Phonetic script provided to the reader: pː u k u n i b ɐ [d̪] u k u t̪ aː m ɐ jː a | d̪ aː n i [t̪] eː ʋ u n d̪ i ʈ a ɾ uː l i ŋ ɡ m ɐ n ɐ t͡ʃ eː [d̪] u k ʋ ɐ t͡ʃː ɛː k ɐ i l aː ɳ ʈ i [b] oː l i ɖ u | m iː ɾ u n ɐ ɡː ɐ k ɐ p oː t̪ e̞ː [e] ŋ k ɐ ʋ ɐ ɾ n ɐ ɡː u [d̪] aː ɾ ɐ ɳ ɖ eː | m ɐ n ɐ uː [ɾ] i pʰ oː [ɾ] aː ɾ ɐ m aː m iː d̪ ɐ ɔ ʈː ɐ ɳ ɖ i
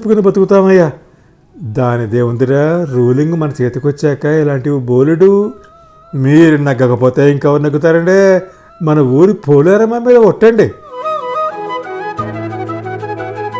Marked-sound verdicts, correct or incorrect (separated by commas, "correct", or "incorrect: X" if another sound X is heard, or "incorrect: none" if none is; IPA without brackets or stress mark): incorrect: t̪, incorrect: d̪, incorrect: t̪, correct, incorrect: i, incorrect: t̪, correct, incorrect: l